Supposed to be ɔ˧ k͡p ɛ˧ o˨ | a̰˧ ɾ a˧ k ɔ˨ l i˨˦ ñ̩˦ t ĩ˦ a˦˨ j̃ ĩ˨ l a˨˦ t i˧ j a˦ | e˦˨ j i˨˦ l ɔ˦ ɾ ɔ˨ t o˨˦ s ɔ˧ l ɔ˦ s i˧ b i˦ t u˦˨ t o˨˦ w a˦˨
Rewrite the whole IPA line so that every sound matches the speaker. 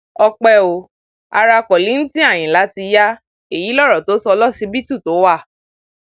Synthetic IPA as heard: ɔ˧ k͡p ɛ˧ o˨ | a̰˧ ɾ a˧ k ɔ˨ l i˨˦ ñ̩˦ t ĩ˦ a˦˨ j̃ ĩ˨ l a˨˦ t i˧ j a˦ | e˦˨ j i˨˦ l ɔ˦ ɾ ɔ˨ t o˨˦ s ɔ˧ l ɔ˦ s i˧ b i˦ t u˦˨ t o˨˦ w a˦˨